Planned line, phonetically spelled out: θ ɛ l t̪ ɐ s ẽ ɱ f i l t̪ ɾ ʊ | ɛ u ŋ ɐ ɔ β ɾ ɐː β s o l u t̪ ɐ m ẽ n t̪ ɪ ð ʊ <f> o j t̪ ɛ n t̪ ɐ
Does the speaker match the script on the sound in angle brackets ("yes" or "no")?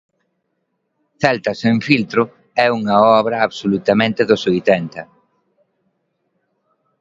no